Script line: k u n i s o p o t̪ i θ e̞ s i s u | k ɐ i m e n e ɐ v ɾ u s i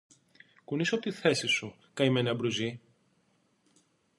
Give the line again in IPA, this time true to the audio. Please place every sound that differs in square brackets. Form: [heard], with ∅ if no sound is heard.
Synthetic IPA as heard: k u n i s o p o t̪ i θ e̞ s i s u | k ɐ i m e n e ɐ [b] ɾ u [z] i